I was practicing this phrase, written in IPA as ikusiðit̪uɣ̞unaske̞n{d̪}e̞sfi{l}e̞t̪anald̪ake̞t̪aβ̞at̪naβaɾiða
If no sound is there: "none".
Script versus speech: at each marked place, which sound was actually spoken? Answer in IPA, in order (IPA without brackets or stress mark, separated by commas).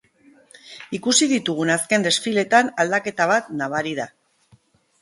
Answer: d̪, l